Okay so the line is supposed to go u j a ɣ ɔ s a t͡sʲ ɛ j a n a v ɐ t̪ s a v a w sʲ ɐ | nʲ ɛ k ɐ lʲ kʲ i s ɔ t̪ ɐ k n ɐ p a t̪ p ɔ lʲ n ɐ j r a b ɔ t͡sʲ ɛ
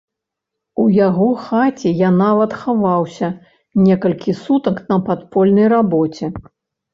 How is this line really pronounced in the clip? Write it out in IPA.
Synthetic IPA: u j a ɣ ɔ x a t͡sʲ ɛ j a n a v ɐ t̪ x a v a w sʲ ɐ | nʲ ɛ k ɐ lʲ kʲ i s u t̪ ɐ k n ɐ p a t̪ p ɔ lʲ n ɐ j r a b ɔ t͡sʲ ɛ